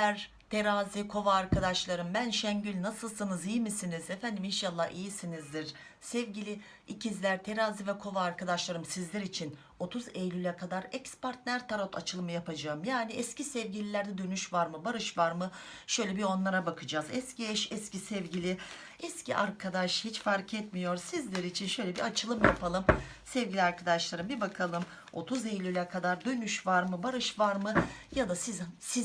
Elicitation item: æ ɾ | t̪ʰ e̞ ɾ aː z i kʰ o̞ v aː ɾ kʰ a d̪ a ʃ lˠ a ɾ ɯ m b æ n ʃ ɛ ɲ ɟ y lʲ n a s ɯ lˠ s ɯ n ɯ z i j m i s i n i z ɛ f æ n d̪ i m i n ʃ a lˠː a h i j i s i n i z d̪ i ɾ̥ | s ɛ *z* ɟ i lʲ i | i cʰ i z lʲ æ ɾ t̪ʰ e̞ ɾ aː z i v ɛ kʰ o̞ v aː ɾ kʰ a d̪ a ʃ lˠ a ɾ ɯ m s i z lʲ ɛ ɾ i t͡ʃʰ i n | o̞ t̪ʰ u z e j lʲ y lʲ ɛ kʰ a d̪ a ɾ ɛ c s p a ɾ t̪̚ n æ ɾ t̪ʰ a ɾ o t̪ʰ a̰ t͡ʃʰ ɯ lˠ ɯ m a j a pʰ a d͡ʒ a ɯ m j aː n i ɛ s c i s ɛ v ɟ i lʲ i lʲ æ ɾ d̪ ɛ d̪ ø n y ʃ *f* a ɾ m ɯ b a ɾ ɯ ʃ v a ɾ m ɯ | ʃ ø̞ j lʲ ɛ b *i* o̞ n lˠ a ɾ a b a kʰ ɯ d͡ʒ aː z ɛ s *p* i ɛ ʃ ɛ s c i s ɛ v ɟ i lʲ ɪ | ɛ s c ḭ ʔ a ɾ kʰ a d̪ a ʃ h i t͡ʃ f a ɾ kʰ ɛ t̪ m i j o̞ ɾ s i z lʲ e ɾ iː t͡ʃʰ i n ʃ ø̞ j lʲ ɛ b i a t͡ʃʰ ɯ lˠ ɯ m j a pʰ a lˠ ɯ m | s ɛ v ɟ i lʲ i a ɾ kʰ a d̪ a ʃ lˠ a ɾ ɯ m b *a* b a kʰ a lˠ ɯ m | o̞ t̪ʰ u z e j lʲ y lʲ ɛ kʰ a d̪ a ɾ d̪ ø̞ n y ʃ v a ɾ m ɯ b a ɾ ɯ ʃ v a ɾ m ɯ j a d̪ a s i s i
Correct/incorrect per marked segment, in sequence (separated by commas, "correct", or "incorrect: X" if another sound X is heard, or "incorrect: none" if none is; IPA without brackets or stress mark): incorrect: v, incorrect: v, correct, incorrect: c, incorrect: i